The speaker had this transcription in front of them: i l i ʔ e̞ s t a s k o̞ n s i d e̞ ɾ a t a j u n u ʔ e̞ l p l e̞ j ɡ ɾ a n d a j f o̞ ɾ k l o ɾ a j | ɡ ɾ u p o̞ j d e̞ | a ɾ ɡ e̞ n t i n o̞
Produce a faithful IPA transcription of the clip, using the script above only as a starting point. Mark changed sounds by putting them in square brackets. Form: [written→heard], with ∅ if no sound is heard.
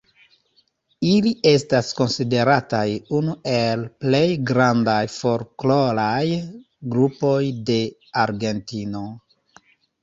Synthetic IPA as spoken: i l i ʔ e̞ s t a s k o̞ n s i d e̞ ɾ a t a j u n u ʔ e̞ l p l e̞ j ɡ ɾ a n d a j f o̞ ɾ k l o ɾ a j | ɡ ɾ u p o̞ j d e̞ | a ɾ ɡ e̞ n t i n o̞